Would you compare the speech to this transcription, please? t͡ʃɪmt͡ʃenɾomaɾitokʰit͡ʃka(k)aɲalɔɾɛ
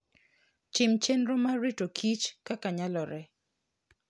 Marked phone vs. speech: correct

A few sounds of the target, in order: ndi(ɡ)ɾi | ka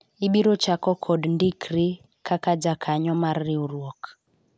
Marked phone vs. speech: incorrect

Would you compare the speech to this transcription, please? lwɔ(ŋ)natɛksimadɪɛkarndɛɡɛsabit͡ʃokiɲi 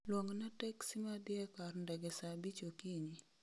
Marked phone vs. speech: correct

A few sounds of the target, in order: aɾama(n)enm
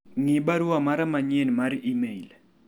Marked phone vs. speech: incorrect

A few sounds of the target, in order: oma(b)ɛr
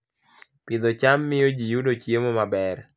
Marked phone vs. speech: correct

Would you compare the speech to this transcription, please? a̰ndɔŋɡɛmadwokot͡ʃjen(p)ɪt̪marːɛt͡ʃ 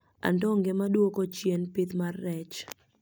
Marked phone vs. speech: correct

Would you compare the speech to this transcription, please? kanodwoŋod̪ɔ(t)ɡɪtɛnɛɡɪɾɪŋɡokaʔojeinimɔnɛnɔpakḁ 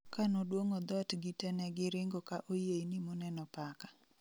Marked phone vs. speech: correct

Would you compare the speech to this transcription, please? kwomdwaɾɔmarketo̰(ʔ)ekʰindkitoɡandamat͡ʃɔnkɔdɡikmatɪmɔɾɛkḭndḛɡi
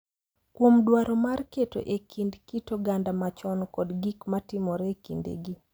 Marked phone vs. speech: correct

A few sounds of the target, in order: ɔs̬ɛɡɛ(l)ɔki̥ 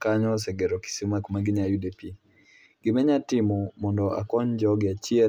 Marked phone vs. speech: incorrect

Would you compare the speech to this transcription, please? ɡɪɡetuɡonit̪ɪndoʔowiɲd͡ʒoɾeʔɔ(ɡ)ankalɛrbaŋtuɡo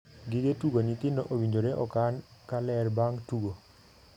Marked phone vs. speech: incorrect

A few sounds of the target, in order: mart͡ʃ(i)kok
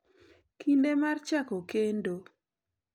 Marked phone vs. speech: incorrect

